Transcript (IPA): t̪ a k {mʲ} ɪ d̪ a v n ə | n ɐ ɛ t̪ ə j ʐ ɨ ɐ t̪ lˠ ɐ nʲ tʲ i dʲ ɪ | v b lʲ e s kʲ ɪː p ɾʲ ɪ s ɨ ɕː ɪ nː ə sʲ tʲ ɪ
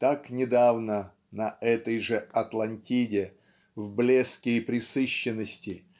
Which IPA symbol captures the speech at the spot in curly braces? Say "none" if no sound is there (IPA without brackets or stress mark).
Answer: nʲ